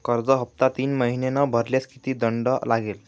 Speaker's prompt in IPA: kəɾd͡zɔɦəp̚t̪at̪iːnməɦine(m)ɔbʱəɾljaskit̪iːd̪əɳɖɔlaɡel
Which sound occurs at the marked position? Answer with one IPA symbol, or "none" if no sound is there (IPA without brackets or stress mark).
n